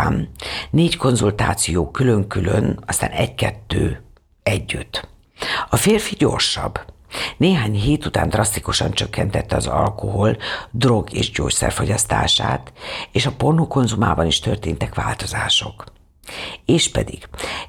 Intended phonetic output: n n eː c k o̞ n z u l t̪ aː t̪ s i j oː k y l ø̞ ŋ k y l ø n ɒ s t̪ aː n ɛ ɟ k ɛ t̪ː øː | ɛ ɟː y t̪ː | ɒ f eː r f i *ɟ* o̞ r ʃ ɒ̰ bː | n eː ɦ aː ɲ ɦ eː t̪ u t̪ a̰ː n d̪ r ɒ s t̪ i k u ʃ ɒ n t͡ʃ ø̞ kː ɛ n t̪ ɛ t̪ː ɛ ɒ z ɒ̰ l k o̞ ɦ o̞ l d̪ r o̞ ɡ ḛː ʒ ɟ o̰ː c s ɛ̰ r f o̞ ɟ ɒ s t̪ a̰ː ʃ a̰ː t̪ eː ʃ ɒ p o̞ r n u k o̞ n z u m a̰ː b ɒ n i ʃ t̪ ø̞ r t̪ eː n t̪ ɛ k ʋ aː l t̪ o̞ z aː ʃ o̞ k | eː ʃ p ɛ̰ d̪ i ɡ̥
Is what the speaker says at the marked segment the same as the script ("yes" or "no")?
yes